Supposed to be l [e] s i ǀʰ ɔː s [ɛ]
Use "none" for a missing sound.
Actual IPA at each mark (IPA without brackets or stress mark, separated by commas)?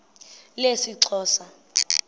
e, a